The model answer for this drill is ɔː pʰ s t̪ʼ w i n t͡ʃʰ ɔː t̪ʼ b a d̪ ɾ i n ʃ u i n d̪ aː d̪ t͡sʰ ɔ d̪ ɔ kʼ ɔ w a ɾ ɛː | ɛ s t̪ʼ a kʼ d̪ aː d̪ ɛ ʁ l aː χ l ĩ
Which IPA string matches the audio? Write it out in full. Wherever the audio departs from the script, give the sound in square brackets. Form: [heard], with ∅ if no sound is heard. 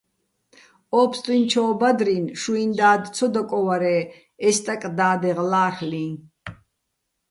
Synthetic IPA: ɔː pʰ s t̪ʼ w i n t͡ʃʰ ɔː [∅] b a d̪ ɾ i n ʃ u i n d̪ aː d̪ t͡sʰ ɔ d̪ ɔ kʼ ɔ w a ɾ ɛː | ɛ s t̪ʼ a kʼ d̪ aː d̪ ɛ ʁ l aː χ l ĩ